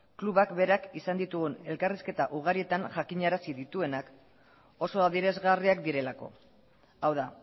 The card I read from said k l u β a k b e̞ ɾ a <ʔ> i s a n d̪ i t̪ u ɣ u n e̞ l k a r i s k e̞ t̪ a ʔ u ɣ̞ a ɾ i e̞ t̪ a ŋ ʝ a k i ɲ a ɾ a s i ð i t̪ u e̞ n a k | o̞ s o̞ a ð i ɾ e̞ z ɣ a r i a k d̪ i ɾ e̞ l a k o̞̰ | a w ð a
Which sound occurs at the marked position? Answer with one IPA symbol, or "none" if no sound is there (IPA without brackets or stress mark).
k